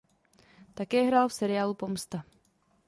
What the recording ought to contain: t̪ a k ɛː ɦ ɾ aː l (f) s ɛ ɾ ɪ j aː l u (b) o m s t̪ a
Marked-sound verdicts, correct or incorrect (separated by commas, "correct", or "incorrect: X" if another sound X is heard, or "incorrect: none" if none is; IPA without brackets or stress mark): correct, incorrect: p